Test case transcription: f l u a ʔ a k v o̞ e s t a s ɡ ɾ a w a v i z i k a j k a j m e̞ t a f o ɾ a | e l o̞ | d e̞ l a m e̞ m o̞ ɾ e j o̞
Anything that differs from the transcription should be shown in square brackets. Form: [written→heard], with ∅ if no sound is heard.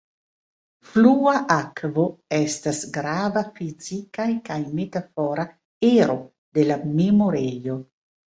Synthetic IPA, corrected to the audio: f l u a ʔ a k v o̞ e s t a s ɡ ɾ a [w→v] a [v→f] i z i k a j k a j m e̞ t a f o ɾ a | e [l→ɾ] o̞ | d e̞ l a m e̞ m o̞ ɾ e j o̞